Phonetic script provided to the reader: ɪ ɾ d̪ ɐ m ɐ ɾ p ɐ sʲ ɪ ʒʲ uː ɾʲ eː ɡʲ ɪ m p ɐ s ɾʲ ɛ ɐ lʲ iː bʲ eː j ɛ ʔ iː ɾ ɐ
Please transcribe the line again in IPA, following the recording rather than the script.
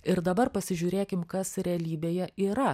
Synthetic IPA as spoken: ɪ ɾ d̪ ɐ b ɐ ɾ p ɐ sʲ ɪ ʒʲ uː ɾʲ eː kʲ ɪ m k ɐ s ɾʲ ɛ ɐ lʲ iː bʲ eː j ɛ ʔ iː ɾ ɐ